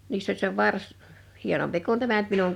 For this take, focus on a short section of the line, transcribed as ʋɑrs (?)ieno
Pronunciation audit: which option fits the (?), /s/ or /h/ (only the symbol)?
h